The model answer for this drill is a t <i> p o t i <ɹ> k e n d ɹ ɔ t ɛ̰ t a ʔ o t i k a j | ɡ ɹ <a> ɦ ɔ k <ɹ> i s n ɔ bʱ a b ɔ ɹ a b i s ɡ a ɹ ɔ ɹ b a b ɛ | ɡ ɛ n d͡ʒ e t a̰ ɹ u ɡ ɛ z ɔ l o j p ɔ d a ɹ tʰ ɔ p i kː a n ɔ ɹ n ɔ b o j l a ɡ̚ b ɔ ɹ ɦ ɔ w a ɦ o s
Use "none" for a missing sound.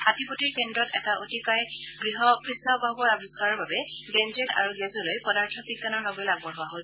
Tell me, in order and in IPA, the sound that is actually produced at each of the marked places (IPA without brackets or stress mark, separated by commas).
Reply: i, ɹ, i, ɹ